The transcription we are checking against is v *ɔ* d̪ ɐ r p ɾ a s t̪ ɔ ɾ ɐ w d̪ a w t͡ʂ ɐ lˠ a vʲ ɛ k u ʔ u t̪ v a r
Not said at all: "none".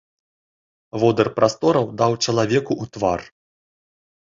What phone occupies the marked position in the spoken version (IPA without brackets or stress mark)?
ɔ